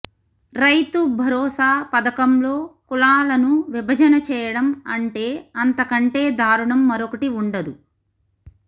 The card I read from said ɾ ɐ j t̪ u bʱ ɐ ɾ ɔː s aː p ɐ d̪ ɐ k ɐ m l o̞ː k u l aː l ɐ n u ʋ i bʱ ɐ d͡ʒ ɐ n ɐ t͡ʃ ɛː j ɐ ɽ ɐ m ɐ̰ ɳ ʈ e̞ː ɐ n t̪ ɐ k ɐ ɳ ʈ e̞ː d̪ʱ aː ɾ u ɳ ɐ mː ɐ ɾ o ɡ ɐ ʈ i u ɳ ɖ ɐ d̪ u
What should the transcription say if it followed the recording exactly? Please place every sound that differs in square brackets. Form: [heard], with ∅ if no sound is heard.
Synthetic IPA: ɾ ɐ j t̪ u bʱ ɐ ɾ ɔː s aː p ɐ d̪ ɐ k ɐ m l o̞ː k u l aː l ɐ n u ʋ i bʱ ɐ d͡ʒ ɐ n ɐ t͡ʃ ɛː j ɐ ɽ ɐ m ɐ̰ ɳ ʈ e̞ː ɐ n t̪ ɐ k ɐ ɳ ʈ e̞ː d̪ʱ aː ɾ u ɳ ɐ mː ɐ ɾ o [k] ɐ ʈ i u ɳ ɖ ɐ d̪ u